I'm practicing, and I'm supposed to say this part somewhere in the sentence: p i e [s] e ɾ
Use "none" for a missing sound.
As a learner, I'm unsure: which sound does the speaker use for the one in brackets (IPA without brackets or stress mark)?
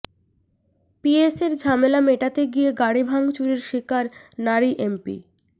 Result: s